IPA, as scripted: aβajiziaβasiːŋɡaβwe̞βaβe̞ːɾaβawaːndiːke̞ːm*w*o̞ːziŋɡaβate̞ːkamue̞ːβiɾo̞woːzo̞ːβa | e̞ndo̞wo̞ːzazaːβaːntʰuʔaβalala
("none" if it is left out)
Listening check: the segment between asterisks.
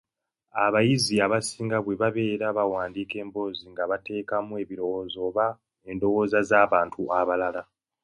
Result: b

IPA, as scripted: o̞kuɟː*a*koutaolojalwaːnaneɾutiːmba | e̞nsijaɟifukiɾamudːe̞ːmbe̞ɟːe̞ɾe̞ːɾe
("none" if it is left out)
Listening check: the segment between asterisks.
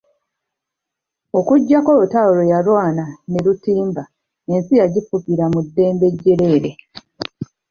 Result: a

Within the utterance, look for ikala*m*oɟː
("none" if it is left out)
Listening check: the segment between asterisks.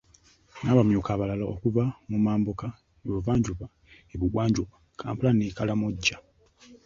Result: m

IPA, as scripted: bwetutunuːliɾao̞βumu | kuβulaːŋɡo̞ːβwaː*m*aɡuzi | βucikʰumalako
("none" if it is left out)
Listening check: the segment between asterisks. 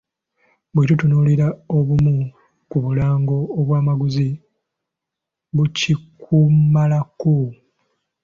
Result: m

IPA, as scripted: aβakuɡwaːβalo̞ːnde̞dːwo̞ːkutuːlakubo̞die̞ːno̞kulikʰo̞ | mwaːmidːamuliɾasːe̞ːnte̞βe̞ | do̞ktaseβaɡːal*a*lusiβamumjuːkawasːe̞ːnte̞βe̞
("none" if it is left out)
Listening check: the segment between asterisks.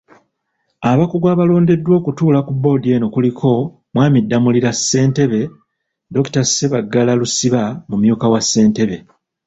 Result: a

